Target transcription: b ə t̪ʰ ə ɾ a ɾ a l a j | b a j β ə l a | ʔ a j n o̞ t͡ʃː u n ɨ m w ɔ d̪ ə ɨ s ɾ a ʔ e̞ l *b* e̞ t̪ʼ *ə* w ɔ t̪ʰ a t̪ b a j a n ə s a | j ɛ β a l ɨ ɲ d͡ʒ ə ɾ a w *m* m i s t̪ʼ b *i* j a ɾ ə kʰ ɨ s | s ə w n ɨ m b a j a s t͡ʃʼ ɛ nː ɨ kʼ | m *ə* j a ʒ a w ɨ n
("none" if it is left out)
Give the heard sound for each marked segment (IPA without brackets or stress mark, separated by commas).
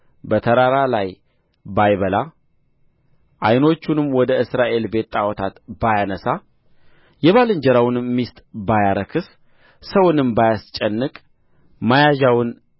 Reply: b, a, n, a, a